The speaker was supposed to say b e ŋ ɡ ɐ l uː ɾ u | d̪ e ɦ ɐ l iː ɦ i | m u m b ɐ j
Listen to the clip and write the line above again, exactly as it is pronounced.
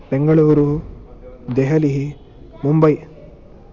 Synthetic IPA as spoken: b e ŋ ɡ ɐ ɭ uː ɾ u | d̪ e ɦ ɐ l i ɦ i | m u m b ɐ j